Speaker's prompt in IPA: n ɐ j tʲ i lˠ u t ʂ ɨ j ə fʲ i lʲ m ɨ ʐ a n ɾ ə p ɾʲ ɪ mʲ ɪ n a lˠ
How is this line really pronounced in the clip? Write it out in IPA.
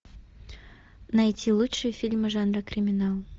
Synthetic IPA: n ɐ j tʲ i lˠ u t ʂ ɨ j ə fʲ i lʲ m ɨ ʐ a n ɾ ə k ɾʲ ɪ mʲ ɪ n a lˠ